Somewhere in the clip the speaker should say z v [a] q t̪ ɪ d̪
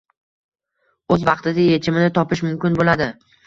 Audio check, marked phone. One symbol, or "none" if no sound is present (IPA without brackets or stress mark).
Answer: ɑ